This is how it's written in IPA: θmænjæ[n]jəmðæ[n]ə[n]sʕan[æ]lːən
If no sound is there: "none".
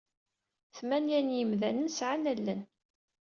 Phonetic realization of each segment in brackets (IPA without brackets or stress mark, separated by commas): n, n, n, æ